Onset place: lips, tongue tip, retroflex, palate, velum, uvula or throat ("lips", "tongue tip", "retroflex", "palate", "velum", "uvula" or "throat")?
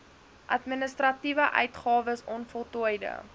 throat